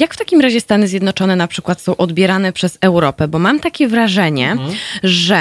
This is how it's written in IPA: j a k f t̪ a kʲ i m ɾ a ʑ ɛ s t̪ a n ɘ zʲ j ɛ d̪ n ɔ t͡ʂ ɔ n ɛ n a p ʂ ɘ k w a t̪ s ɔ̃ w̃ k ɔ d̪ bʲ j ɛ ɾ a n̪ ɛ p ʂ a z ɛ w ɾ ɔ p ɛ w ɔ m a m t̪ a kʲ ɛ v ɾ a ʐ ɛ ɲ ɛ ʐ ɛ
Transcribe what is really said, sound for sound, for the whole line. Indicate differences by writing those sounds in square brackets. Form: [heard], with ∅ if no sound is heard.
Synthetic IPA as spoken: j a k f t̪ a kʲ i m ɾ a ʑ ɛ s t̪ a n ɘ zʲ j ɛ d̪ n ɔ t͡ʂ ɔ n ɛ n a p ʂ ɘ k w a t̪ s ɔ̃ w̃ [ʔ] ɔ d̪ bʲ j ɛ ɾ a n̪ ɛ p ʂ [ɛ] z ɛ w ɾ ɔ p ɛ [b] ɔ m a m t̪ a kʲ ɛ v ɾ a ʐ ɛ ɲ ɛ ʐ ɛ